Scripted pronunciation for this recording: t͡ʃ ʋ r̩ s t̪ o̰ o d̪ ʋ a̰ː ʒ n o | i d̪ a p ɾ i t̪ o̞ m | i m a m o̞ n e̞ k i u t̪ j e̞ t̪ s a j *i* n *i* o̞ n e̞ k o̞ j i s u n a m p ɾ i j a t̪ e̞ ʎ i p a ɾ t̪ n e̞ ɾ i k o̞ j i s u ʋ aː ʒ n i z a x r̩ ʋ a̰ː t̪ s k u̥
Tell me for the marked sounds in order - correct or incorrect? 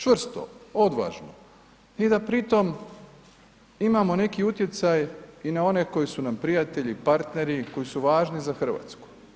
correct, incorrect: a

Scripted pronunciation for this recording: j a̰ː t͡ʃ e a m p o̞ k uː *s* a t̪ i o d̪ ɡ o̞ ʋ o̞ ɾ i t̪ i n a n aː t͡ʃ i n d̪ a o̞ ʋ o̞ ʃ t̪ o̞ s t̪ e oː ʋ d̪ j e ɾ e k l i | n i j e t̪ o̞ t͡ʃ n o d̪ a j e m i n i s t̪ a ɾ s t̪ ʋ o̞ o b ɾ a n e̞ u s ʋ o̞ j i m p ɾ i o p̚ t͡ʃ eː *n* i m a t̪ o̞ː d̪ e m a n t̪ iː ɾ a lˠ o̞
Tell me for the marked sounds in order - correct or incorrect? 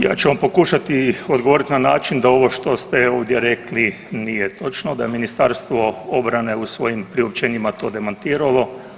incorrect: ʃ, incorrect: ɲ

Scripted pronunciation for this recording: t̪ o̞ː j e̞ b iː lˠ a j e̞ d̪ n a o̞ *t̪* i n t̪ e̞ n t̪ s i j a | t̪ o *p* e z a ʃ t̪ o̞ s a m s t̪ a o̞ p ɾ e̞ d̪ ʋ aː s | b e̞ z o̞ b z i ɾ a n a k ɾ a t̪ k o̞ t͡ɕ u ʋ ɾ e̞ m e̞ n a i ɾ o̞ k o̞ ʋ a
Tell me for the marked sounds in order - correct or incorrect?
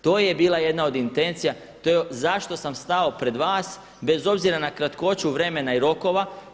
incorrect: d̪, incorrect: none

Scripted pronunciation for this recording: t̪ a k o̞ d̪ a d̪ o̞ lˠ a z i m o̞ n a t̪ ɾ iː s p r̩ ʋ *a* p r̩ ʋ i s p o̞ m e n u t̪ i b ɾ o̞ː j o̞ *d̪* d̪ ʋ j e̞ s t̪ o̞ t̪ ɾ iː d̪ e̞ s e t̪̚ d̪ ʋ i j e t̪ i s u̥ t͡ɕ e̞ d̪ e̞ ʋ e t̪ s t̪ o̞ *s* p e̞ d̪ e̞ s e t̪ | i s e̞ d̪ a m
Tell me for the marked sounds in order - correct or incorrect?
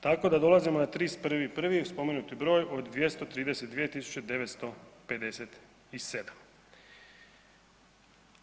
incorrect: i, correct, incorrect: none

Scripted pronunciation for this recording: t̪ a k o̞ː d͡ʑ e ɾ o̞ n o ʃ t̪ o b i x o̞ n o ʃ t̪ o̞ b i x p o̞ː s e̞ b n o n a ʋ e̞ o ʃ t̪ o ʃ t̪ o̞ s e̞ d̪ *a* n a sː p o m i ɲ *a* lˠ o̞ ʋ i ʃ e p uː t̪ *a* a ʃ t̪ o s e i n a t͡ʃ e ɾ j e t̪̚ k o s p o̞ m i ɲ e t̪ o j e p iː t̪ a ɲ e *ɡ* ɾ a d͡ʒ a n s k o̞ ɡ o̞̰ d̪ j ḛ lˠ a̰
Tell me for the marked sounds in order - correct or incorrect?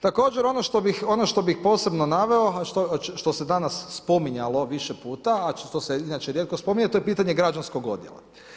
correct, correct, correct, correct

